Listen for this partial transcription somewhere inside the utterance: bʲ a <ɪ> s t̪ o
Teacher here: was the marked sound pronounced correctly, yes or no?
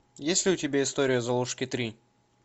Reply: yes